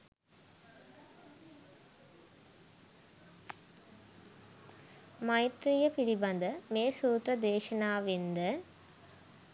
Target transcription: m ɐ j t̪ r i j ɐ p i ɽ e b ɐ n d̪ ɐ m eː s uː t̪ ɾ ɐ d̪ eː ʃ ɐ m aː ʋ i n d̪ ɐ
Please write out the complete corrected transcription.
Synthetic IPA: m ɐ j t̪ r i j ɐ p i ɽ i b ɐ n d̪ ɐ m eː s uː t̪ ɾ ɐ d̪ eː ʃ ɐ n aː ʋ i n d̪ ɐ